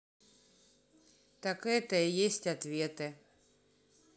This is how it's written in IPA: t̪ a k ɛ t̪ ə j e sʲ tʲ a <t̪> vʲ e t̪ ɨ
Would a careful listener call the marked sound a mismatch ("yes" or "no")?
no